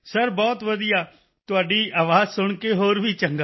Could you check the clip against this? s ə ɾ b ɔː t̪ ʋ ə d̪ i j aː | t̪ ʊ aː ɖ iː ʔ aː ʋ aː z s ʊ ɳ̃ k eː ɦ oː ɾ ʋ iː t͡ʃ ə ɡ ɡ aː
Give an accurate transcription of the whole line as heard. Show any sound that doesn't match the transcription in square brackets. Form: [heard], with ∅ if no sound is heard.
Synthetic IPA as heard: s ə ɾ b ɔː t̪ ʋ ə d̪ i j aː | t̪ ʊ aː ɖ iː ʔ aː ʋ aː z s ʊ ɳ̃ k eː ɦ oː ɾ ʋ iː t͡ʃ ə [ŋ] ɡ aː